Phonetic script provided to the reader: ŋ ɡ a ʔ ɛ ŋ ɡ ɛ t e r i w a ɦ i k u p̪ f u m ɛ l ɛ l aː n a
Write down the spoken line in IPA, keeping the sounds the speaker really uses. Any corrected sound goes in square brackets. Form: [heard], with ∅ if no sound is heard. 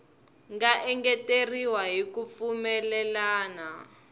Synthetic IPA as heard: ŋ ɡ a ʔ ɛ ŋ ɡ ɛ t e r i w a ɦ i k u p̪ f u m ɛ l ɛ l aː n a